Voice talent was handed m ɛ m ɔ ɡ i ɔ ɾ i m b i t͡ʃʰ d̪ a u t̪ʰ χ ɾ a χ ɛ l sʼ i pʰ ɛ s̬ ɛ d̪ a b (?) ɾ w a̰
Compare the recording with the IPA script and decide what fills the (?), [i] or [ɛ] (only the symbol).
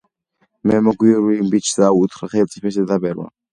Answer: ɛ